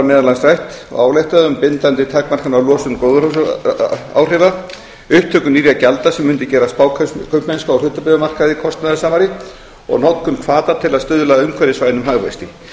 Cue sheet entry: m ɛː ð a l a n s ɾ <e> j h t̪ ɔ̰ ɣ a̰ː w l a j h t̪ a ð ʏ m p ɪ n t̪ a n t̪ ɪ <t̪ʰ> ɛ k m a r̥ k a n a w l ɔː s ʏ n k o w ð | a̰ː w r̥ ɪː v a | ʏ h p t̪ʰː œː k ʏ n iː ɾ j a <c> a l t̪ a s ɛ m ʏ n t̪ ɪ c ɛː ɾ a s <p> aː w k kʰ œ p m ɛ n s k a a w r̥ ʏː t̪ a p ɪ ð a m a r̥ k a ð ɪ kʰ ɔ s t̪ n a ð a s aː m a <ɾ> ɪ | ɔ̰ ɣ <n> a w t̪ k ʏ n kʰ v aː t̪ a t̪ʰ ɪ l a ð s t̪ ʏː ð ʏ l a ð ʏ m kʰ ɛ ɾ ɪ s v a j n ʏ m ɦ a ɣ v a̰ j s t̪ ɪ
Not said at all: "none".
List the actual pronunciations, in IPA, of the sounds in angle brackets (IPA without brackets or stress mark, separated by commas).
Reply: a, t̪ʰ, c, p, ɾ, n